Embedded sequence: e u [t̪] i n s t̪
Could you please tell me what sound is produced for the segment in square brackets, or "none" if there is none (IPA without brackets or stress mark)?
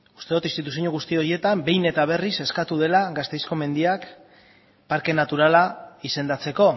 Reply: t̪